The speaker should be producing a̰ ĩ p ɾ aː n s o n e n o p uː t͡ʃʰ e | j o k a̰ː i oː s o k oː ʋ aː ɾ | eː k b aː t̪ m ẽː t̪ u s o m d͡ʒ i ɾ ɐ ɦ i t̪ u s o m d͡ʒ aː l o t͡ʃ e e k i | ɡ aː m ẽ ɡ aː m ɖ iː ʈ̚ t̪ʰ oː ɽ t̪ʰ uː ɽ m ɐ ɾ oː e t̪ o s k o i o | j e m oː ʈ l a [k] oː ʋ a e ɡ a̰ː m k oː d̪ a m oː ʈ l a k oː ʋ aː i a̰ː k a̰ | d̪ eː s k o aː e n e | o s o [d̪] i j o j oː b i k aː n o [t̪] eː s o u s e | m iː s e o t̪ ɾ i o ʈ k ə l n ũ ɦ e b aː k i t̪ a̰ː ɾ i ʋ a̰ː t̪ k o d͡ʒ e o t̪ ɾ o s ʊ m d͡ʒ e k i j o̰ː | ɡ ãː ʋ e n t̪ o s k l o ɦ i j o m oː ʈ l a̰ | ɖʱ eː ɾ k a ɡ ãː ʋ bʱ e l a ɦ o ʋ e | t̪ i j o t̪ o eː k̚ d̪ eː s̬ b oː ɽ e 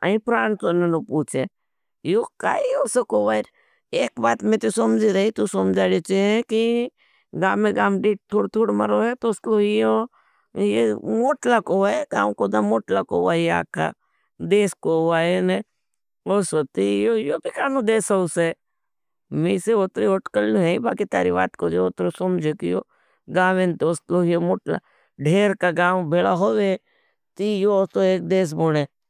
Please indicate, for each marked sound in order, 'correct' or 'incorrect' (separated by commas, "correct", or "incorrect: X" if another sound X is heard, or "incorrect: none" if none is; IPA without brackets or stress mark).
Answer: correct, incorrect: t̪, incorrect: d̪